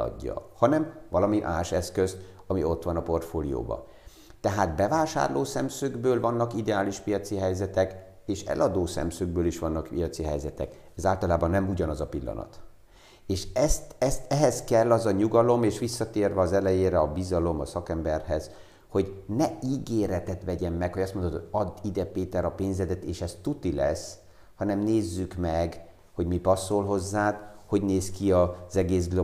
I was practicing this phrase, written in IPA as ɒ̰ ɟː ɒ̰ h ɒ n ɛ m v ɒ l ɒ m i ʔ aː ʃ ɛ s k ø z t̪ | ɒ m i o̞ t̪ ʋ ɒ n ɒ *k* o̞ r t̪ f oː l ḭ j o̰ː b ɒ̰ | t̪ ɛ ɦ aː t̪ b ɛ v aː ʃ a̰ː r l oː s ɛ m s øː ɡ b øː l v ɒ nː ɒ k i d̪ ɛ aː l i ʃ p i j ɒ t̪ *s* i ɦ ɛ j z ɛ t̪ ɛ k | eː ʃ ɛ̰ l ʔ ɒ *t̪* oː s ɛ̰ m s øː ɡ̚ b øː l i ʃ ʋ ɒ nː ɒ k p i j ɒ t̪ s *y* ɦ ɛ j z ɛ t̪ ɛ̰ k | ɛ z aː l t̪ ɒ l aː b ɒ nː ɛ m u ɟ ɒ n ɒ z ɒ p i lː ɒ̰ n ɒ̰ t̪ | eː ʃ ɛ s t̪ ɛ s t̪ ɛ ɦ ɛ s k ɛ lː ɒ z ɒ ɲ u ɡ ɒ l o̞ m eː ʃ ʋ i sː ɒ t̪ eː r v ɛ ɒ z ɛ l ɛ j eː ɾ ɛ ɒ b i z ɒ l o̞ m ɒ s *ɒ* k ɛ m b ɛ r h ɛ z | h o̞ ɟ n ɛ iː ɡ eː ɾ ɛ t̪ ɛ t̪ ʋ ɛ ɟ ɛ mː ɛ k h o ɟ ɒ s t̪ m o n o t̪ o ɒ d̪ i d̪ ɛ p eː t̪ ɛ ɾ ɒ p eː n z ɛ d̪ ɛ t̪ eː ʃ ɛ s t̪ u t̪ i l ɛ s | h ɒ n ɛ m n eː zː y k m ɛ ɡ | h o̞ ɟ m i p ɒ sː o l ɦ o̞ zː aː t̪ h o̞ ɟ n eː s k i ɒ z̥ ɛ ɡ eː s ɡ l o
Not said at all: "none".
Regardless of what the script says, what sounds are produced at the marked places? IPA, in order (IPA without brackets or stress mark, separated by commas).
p, s, d̪, i, ɒ